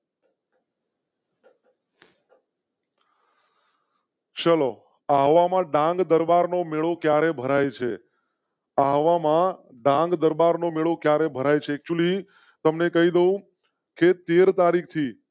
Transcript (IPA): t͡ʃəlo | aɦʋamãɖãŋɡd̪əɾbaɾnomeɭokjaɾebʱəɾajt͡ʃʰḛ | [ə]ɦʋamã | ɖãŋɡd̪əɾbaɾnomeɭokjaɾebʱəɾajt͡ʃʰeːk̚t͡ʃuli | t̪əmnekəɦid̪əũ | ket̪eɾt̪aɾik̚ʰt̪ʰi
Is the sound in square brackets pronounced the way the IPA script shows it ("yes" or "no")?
no